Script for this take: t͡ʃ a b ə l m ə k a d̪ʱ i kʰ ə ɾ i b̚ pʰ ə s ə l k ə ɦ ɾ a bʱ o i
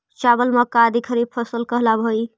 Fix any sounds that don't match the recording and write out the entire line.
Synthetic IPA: t͡ʃ a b ə l m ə k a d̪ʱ i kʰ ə ɾ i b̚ pʰ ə s ə l k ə ɦ l a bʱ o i